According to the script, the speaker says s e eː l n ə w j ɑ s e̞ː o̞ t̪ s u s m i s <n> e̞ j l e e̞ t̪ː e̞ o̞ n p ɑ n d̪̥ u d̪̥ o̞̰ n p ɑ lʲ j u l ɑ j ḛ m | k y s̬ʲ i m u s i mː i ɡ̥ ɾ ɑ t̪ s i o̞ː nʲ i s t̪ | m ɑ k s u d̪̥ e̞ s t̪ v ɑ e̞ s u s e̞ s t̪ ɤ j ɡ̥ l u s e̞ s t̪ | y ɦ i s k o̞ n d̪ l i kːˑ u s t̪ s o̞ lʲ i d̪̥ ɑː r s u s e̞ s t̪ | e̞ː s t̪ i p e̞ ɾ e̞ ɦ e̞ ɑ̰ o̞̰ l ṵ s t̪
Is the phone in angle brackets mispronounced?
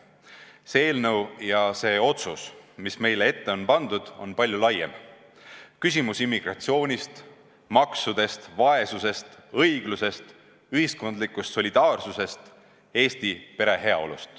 yes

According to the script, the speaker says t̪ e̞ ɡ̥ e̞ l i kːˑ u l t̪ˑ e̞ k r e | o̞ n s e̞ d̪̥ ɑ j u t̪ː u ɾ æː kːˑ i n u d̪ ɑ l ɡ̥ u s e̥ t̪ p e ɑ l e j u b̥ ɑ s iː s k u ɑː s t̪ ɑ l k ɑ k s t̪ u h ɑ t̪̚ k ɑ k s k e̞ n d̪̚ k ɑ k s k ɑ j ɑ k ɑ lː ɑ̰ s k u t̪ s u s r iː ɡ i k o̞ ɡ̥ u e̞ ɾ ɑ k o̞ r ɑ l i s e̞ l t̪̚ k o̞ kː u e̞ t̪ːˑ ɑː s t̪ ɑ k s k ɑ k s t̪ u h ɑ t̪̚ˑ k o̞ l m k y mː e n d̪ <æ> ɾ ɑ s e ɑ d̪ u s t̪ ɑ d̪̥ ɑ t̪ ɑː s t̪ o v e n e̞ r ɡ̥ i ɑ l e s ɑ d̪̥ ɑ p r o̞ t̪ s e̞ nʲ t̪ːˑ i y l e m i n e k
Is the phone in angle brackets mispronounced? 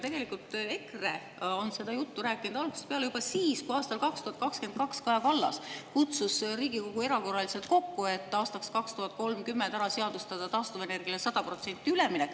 no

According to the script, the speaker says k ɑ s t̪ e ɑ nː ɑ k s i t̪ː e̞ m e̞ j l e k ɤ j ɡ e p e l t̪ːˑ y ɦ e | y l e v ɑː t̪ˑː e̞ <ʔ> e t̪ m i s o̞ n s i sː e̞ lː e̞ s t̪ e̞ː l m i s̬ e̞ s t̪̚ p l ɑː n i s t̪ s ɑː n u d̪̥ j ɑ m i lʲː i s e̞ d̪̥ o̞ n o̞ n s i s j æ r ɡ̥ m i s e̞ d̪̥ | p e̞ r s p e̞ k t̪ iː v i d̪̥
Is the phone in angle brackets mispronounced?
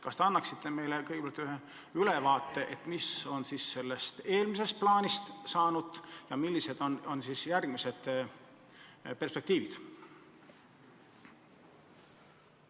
no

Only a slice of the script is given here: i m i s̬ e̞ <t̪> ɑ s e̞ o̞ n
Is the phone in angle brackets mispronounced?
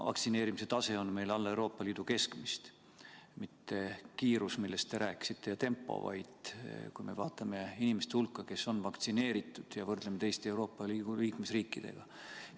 no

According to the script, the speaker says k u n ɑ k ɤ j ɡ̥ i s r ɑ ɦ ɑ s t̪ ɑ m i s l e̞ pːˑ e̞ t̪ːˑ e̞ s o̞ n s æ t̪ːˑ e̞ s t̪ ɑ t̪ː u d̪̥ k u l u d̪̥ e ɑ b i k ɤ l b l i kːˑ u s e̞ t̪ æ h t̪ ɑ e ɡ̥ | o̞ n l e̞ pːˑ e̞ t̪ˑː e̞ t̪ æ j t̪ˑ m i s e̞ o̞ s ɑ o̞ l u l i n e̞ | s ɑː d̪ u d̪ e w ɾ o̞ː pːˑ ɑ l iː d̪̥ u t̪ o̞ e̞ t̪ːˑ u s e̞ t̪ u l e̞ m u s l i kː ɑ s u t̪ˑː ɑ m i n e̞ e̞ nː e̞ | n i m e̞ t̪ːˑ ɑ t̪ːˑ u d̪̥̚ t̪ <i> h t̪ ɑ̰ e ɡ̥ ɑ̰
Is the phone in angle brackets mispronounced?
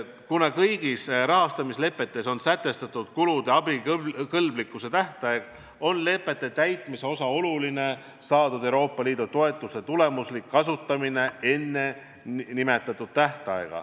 yes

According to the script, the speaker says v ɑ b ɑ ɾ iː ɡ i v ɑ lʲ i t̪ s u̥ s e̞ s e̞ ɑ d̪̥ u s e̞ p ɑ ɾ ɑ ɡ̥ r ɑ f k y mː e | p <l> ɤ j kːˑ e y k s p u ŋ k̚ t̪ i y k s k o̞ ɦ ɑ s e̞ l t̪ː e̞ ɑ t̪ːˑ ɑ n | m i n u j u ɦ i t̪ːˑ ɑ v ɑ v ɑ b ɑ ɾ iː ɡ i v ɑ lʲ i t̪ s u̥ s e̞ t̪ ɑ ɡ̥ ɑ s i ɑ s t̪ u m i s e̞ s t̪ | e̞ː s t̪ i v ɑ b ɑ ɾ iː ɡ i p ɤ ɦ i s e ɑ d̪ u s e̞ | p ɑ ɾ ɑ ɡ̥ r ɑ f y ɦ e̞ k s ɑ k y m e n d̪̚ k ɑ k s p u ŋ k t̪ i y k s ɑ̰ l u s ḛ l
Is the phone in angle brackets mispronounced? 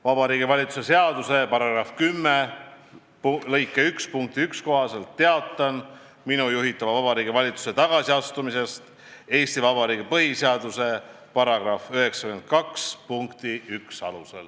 no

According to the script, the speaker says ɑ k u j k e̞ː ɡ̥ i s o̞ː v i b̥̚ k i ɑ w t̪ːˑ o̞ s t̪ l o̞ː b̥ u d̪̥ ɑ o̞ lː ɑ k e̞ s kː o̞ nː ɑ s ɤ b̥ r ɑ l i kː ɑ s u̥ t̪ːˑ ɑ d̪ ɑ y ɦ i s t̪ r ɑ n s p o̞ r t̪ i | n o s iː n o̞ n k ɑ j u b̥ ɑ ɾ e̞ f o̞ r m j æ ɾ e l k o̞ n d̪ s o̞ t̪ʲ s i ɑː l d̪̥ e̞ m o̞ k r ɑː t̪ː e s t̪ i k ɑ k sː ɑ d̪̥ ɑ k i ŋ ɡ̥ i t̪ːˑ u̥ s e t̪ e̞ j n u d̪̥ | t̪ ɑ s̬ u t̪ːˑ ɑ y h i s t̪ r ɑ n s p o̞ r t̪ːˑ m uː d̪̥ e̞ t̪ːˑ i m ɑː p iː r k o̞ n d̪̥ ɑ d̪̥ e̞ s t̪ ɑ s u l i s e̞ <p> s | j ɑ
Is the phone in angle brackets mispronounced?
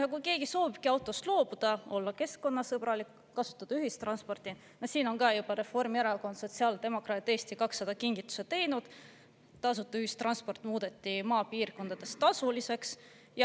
yes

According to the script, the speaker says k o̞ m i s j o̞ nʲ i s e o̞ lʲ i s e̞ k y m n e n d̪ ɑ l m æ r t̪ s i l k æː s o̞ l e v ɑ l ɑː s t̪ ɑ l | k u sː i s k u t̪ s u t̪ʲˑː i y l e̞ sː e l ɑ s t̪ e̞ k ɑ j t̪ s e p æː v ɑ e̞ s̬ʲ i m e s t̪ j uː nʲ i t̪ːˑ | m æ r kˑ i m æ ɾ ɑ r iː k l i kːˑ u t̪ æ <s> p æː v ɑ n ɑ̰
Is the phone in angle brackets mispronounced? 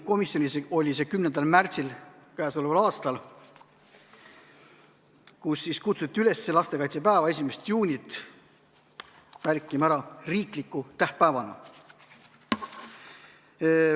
yes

